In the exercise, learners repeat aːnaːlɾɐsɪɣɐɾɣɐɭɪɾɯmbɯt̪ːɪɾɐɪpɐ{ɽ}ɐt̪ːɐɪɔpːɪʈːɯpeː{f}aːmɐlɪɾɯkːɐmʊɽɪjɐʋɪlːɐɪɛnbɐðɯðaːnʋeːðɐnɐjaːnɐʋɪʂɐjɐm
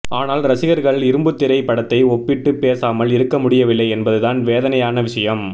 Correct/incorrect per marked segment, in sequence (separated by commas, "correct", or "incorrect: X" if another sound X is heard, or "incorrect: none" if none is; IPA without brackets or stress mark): correct, incorrect: s